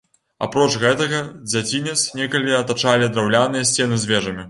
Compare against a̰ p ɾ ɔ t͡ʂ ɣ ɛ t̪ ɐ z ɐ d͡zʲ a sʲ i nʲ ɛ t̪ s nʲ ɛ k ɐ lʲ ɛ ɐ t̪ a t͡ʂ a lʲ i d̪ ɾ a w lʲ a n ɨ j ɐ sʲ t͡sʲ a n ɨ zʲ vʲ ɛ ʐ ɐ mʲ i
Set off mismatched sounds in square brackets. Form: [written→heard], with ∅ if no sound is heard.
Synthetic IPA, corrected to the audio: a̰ p ɾ ɔ t͡ʂ ɣ ɛ t̪ ɐ [z→ɣ] ɐ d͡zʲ a [sʲ→t͡sʲ] i nʲ ɛ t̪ s nʲ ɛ k ɐ lʲ [ɛ→i] ɐ t̪ a t͡ʂ a lʲ i d̪ ɾ a w lʲ a n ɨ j ɐ sʲ t͡sʲ [a→ɛ] n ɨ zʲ vʲ ɛ ʐ ɐ mʲ i